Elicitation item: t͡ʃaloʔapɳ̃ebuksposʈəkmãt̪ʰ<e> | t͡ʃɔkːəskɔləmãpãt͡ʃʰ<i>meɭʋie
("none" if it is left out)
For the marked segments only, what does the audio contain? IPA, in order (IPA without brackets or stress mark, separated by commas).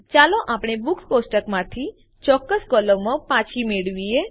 i, i